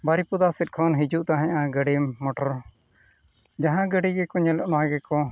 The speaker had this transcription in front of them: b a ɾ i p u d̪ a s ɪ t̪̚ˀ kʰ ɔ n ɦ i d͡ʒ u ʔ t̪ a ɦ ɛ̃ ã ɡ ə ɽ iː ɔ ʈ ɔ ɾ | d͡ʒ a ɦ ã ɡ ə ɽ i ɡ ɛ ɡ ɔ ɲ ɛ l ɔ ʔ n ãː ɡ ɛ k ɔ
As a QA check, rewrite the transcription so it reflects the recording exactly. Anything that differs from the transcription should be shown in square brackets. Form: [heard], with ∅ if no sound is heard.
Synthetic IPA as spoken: b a ɾ i p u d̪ a s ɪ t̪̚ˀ kʰ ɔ n ɦ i d͡ʒ u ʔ t̪ a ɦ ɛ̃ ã ɡ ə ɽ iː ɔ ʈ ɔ ɾ | d͡ʒ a ɦ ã ɡ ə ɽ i ɡ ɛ [k] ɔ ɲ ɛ l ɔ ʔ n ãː ɡ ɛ k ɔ